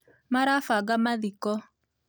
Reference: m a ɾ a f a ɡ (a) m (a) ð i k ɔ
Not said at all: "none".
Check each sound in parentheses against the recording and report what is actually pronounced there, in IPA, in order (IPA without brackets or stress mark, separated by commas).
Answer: a, a